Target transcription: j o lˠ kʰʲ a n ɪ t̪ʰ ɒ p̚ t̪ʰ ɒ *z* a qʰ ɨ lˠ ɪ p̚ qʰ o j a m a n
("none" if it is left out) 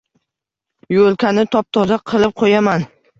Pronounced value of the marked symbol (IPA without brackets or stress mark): z